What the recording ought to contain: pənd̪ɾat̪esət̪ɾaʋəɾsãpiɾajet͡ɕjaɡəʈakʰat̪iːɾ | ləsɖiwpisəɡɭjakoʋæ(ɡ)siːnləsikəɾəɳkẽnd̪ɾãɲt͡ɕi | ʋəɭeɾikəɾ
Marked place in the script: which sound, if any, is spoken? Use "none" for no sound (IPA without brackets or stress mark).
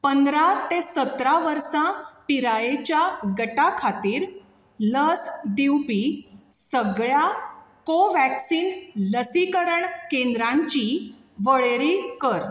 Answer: k